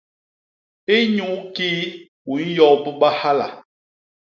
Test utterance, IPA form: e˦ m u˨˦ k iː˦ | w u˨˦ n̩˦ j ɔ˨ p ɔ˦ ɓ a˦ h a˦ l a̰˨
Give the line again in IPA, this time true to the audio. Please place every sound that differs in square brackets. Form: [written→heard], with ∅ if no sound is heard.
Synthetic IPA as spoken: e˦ [m→ɲ] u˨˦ k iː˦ | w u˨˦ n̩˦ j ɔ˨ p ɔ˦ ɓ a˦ h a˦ l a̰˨